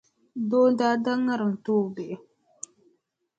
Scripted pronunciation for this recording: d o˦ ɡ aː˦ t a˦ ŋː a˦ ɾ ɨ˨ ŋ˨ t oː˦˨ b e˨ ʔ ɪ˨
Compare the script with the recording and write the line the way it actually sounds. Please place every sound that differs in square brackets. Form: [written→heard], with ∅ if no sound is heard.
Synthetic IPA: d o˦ [ɡ→d] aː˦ [t→d] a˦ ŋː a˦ ɾ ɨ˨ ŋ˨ t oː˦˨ b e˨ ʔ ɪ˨